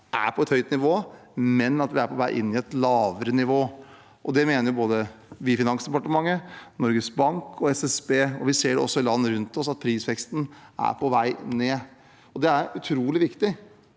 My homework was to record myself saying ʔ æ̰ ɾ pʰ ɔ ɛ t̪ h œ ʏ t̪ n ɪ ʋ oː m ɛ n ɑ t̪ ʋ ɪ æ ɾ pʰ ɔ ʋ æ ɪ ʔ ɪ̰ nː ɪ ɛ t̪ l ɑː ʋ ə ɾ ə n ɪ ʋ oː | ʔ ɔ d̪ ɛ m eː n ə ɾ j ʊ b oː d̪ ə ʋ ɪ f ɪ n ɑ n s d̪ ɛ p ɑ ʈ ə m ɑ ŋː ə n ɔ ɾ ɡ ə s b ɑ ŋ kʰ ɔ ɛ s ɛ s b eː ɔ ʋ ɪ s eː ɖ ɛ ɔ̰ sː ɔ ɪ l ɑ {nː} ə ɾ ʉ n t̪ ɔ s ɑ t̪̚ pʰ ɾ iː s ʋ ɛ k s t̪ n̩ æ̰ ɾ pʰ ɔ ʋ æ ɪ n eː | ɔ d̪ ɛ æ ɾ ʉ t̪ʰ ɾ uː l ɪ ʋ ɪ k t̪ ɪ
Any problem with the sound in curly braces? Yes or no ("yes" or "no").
no